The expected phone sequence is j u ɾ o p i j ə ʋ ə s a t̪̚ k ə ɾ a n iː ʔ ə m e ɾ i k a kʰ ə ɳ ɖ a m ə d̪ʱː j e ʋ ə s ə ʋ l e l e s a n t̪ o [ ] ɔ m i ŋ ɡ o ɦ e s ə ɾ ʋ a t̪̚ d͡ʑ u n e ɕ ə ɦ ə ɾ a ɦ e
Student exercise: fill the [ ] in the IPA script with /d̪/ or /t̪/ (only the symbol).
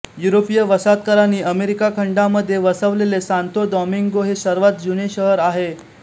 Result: d̪